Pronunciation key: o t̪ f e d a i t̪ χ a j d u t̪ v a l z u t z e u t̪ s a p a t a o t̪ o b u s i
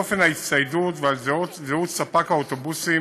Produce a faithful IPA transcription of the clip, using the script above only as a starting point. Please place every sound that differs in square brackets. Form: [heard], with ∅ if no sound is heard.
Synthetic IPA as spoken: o [∅] f e [n] a i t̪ [s] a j d u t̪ v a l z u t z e u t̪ s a p a [k] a o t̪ o b u s i